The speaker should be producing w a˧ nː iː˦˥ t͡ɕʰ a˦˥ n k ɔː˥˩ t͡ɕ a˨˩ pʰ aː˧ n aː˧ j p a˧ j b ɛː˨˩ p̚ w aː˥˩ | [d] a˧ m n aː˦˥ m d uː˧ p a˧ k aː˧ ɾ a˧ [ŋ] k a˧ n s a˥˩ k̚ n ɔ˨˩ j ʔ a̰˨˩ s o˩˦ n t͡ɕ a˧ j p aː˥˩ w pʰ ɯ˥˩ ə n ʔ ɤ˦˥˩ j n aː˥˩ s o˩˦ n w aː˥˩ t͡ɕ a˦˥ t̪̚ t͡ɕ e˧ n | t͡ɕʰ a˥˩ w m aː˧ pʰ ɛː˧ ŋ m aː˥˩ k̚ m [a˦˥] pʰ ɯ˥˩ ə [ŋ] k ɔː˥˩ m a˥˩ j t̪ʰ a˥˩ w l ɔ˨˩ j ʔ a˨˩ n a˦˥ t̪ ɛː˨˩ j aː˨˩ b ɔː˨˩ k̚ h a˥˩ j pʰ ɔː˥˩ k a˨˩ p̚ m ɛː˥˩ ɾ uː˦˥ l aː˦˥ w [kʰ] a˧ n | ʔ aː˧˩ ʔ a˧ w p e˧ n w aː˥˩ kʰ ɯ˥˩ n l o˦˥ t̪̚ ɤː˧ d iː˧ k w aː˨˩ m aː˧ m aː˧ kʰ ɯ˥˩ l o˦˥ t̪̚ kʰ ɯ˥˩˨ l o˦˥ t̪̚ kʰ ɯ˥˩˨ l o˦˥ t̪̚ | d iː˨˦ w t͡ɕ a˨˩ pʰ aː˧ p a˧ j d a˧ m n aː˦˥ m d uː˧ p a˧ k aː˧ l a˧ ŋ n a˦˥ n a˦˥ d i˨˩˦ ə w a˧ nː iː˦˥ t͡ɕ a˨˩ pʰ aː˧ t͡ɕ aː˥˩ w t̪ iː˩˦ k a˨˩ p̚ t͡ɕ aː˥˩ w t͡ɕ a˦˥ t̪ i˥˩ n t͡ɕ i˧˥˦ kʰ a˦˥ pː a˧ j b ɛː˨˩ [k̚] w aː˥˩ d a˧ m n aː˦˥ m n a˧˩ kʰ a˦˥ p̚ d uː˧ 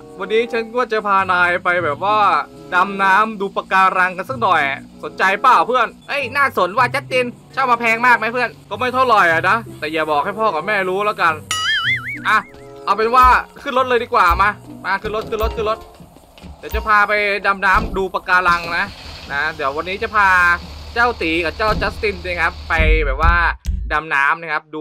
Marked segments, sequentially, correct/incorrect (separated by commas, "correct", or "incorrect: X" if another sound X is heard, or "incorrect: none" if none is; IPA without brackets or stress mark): correct, correct, correct, incorrect: n, incorrect: k, incorrect: p̚